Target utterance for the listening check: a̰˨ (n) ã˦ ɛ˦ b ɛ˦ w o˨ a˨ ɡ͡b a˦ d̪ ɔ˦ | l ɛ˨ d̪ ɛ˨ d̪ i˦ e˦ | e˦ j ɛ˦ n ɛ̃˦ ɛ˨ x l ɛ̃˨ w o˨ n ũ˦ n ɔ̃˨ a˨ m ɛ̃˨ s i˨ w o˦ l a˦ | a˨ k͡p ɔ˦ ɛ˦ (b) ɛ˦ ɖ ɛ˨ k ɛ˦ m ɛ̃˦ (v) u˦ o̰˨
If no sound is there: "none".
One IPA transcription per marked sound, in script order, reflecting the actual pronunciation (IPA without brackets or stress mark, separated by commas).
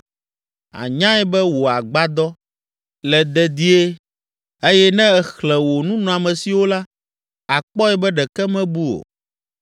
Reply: ɲ, b, b